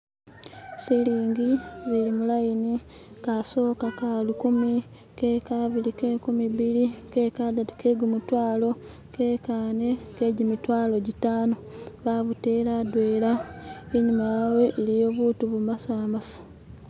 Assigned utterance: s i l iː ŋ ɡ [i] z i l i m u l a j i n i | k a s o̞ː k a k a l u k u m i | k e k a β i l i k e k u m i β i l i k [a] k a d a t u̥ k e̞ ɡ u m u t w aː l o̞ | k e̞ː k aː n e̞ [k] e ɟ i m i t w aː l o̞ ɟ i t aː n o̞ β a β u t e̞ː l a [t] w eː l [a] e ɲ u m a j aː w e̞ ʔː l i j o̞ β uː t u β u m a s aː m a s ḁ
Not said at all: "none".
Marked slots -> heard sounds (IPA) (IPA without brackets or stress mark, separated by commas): i, e, k, d, a